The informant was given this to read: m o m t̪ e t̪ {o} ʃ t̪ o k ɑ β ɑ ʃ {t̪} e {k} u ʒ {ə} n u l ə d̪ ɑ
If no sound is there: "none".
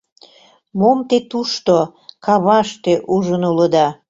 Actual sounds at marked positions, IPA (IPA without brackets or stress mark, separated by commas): u, t̪, ʔ, ə